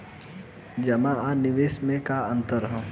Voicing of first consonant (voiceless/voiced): voiced